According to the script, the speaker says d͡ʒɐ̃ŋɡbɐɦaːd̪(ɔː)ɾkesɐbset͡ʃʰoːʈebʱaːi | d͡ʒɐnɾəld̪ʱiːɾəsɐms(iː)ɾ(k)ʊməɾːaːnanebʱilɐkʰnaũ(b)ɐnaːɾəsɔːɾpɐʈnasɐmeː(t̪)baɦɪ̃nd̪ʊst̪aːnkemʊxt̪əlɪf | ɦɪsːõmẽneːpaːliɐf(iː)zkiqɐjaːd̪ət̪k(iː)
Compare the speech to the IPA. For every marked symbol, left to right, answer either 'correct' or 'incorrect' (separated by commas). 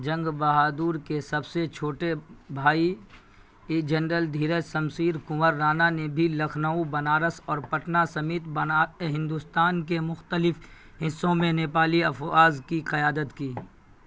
incorrect, correct, correct, correct, correct, incorrect, correct